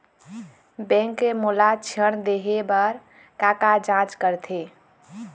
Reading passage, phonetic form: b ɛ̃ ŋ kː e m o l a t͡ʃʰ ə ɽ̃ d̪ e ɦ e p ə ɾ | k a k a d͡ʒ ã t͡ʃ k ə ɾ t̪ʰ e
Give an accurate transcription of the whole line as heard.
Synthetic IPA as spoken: b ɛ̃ ŋ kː e m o l a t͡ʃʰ ə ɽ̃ d̪ e ɦ e b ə ɾ | k a k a d͡ʒ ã t͡ʃ k ə ɾ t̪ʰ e